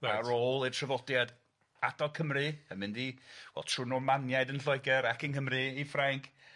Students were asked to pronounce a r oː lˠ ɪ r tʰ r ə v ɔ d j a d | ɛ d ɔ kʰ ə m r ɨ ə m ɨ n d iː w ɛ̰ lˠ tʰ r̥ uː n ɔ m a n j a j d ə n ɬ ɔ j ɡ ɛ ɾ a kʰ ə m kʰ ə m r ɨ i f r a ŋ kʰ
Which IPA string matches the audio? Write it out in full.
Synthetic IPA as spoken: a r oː lˠ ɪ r tʰ r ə v ɔ d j a d | a d ɔ kʰ ə m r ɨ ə m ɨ n d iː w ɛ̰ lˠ tʰ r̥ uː n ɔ m a n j a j d ə n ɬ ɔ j ɡ ɛ ɾ a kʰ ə n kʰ ə m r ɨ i f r a ŋ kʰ